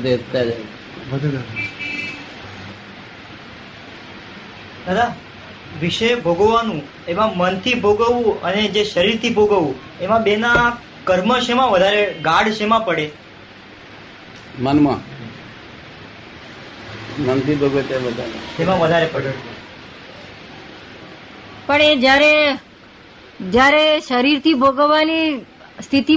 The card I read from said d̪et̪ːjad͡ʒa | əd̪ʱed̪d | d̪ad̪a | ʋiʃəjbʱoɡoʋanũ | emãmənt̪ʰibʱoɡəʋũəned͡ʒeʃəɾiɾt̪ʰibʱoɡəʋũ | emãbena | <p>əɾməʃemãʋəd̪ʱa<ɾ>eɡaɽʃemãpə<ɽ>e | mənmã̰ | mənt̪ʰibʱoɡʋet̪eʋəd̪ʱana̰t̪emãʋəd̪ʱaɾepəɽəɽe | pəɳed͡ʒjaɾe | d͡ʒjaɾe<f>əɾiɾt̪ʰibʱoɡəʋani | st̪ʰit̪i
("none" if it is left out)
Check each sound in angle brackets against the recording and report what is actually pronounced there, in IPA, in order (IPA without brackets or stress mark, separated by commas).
k, ɾ, ɽ, ʃ